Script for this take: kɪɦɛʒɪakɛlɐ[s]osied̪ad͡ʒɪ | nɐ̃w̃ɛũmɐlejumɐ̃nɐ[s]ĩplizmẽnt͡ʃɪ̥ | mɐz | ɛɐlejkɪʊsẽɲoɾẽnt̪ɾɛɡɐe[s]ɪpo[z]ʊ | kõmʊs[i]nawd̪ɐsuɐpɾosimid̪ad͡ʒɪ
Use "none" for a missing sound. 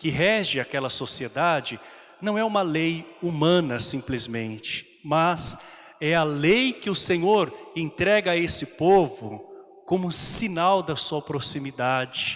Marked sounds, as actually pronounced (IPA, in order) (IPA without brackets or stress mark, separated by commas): s, s, s, v, i